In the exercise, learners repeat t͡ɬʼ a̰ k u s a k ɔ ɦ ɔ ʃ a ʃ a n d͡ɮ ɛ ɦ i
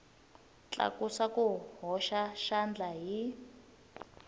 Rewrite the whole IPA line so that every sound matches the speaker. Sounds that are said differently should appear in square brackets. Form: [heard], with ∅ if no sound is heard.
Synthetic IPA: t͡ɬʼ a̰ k u s a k [u] ɦ ɔ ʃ a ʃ a n d͡ɮ [a] ɦ i